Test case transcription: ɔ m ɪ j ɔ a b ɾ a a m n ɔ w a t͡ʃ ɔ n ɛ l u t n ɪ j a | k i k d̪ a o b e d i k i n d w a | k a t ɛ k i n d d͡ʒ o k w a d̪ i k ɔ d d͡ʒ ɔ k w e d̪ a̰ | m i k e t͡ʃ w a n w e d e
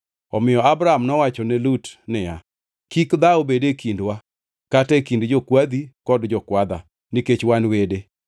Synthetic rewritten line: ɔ m ɪ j ɔ a b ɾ a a m n ɔ w a t͡ʃ ɔ n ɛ l u t n ɪ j a | k i k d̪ a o b e d e k i n d w a | k a t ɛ k i n d d͡ʒ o k w a d̪ i k ɔ d d͡ʒ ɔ k w a d̪ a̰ | n i k e t͡ʃ w a n w e d e